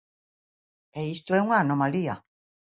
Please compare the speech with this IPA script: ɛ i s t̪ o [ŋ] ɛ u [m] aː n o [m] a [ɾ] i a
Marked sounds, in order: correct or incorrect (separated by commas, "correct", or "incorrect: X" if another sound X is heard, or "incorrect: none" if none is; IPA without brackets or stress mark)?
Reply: incorrect: none, incorrect: ŋ, correct, incorrect: l